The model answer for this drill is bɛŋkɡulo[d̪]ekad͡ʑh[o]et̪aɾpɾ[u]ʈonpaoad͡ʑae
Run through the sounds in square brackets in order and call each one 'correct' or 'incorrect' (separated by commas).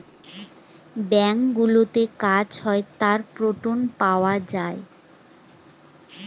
incorrect, incorrect, incorrect